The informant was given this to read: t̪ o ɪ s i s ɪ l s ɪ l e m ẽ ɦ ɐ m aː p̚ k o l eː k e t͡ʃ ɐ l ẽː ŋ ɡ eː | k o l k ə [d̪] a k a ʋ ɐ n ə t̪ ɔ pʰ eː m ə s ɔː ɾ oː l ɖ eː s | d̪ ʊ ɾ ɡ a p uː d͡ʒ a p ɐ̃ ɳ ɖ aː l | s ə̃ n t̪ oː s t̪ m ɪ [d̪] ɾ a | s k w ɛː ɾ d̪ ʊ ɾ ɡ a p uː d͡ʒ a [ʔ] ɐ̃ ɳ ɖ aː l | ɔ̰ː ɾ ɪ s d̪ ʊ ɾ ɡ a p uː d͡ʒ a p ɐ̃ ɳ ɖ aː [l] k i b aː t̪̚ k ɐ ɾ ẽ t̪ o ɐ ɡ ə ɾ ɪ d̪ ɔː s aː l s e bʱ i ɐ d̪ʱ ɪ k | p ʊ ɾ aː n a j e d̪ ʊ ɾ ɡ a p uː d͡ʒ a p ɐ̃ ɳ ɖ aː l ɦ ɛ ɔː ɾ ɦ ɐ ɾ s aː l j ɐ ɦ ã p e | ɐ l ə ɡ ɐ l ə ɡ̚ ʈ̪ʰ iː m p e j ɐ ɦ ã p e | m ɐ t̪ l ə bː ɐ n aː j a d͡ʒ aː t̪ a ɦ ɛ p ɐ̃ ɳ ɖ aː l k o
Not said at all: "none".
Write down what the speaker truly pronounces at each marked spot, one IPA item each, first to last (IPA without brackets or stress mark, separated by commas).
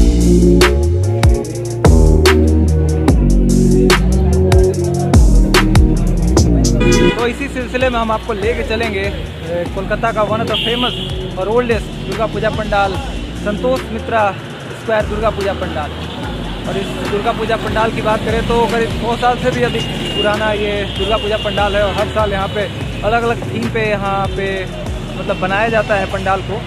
t̪, t̪, p, l